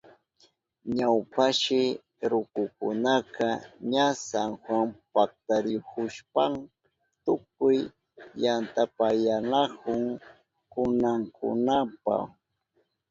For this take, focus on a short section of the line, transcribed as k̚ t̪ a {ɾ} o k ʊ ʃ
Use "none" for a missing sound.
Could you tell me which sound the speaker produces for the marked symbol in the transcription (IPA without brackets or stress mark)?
ɾ